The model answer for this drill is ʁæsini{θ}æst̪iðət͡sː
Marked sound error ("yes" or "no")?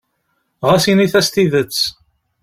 no